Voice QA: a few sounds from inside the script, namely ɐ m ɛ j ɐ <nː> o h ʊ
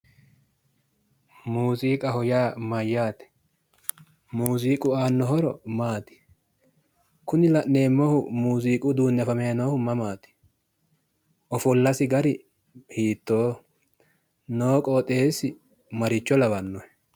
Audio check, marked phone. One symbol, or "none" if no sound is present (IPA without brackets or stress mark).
n